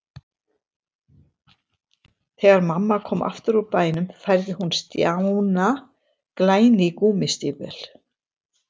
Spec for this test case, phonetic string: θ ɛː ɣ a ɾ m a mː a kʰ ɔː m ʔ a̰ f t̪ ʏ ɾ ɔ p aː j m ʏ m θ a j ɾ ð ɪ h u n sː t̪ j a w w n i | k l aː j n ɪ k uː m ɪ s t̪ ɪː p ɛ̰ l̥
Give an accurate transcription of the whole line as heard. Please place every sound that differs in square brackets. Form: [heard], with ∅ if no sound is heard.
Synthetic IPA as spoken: θ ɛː ɣ a ɾ m a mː a kʰ ɔː m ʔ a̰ f t̪ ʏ ɾ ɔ p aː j [n] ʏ m [f] a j ɾ ð ɪ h u n [s] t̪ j a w w n [a] | k l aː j n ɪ k uː m ɪ s t̪ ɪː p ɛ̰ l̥